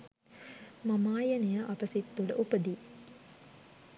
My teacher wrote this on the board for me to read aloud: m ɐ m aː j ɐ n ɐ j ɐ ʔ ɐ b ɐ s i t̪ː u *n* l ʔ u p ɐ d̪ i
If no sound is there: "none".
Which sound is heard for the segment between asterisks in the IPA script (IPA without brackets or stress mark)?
none